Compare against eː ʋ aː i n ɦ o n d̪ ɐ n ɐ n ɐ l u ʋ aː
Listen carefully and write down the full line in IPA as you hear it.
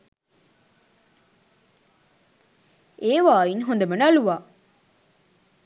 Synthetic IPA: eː ʋ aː i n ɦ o n d̪ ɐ m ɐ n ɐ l u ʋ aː